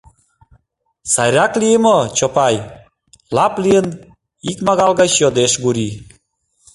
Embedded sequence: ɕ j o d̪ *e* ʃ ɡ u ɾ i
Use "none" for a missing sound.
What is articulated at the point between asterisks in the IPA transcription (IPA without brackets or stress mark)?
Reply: e